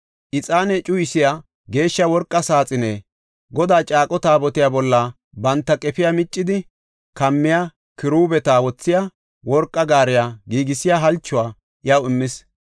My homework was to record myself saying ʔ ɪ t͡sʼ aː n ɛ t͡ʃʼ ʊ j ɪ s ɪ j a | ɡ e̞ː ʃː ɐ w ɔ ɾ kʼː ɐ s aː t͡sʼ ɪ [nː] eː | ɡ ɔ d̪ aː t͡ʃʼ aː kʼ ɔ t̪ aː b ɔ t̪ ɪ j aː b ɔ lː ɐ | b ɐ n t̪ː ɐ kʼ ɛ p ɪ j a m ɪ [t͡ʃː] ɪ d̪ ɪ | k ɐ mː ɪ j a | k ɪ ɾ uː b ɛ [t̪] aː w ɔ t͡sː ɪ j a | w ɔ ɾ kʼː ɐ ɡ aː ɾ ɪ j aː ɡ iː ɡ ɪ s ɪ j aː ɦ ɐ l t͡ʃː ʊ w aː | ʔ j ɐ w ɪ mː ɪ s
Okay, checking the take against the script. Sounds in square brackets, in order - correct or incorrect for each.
incorrect, incorrect, correct

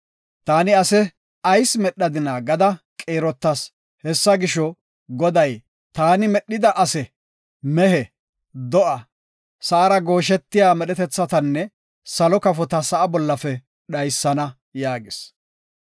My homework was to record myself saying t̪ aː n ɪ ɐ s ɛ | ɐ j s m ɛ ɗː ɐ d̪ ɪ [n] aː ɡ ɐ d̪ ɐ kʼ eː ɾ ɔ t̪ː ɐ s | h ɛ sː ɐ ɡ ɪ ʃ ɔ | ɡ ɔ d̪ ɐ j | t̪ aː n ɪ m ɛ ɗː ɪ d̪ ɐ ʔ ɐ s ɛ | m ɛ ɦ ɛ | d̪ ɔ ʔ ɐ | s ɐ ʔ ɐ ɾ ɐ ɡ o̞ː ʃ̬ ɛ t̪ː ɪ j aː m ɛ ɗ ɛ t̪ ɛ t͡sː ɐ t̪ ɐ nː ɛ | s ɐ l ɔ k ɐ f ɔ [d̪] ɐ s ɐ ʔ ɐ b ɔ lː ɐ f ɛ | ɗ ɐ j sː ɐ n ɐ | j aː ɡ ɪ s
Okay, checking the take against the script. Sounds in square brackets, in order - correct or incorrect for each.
correct, incorrect

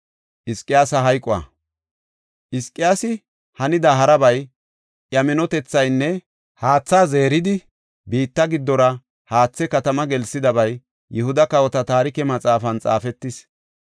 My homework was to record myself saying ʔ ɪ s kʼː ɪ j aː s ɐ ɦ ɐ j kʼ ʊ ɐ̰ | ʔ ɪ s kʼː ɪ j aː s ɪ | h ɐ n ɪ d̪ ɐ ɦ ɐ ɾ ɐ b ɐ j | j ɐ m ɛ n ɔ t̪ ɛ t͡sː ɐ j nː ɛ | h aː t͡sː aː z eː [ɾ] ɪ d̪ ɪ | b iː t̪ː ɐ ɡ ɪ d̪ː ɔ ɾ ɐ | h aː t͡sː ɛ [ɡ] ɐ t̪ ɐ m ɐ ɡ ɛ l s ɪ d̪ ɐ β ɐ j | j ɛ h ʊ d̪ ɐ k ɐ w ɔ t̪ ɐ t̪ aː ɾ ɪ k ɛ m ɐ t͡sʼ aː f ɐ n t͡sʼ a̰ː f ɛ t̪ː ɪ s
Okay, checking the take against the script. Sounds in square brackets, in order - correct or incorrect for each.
correct, incorrect

